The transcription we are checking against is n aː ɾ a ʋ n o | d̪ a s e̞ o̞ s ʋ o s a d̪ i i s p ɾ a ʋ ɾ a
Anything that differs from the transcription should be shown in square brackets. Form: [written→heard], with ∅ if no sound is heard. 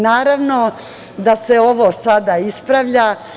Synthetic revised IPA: n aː ɾ a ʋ n o | d̪ a s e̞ o̞ [s→∅] ʋ o s a d̪ [i→a] i s p ɾ a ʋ [ɾ→ʎ] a